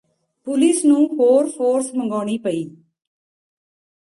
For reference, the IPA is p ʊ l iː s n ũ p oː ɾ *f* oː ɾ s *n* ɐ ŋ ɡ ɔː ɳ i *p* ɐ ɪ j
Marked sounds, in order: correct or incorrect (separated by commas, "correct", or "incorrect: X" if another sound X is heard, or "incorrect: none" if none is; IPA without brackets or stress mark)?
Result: correct, incorrect: m, correct